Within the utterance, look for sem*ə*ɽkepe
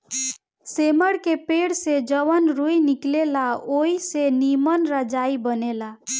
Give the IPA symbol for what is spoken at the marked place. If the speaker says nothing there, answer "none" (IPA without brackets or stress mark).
ə